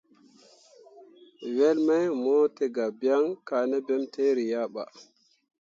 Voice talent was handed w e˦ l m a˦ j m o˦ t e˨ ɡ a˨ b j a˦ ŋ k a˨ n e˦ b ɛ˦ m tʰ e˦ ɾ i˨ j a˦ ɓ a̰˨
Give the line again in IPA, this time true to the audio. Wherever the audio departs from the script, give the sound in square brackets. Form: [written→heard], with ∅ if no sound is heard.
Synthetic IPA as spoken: w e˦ l m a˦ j m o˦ t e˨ ɡ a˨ b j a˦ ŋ k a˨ n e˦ b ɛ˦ m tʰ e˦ ɾ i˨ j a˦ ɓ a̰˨